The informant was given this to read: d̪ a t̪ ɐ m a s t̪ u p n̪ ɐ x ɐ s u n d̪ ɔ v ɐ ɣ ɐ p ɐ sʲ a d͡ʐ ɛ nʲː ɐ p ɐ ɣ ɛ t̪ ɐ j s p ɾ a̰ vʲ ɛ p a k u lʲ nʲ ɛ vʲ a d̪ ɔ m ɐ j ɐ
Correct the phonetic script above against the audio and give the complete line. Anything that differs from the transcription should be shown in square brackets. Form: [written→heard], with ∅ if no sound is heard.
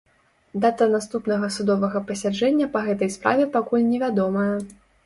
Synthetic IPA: d̪ a t̪ ɐ [m→n] a s t̪ u p n̪ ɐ [x→ɣ] ɐ s u [n→∅] d̪ ɔ v ɐ ɣ ɐ p ɐ sʲ a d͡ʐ ɛ nʲː ɐ p ɐ ɣ ɛ t̪ ɐ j s p ɾ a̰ vʲ ɛ p a k u lʲ nʲ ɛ vʲ a d̪ ɔ m ɐ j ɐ